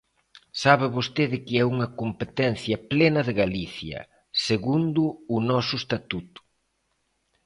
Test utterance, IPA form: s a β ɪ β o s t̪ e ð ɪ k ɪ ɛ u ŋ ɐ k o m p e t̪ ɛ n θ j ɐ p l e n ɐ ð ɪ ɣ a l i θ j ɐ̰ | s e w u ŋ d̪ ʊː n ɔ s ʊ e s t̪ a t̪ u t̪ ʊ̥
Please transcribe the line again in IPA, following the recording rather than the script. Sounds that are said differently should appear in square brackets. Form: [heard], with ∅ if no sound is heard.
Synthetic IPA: s a β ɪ β o s t̪ e ð ɪ k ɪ ɛ u ŋ ɐ k o m p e t̪ ɛ n θ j ɐ p l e n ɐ ð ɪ ɣ a l i θ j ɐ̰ | s e [ɣ] u [n] d̪ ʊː n ɔ s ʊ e s t̪ a t̪ u t̪ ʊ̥